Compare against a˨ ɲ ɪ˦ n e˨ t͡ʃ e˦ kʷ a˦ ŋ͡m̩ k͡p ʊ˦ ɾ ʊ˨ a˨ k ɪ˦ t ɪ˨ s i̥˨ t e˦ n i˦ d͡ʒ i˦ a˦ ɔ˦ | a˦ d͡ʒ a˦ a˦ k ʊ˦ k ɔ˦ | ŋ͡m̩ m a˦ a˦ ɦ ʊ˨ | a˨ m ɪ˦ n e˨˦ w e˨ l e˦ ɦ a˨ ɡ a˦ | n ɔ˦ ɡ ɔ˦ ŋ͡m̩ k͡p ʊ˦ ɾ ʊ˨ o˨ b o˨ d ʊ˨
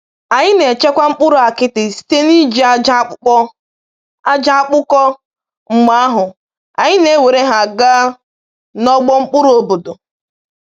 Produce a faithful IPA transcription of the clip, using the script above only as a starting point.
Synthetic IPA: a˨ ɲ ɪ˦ n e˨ t͡ʃ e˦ kʷ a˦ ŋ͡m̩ k͡p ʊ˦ ɾ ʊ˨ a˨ k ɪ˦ t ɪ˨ s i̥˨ t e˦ n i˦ d͡ʒ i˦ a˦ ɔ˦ | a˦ d͡ʒ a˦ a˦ k͡p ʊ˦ k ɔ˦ | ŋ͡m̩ m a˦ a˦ ɦ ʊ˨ | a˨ ɲ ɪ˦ n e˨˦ w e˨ ɾ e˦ ɦ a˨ ɡ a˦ | n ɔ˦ ɡ͡b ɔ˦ ŋ͡m̩ k͡p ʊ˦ ɾ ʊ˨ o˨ b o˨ d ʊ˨